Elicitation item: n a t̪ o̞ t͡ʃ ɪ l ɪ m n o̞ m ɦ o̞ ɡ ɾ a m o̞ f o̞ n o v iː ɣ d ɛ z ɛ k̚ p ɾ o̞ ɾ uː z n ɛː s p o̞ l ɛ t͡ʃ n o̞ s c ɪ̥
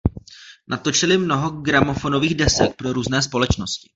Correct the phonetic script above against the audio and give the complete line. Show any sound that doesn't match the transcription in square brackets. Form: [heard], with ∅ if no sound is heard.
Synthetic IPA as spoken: n a t̪ o̞ t͡ʃ ɪ l ɪ m n o̞ [∅] ɦ o̞ ɡ ɾ a m o̞ f o̞ n o v iː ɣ d ɛ [s] ɛ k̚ p ɾ o̞ ɾ uː z n ɛː s p o̞ l ɛ t͡ʃ n o̞ s c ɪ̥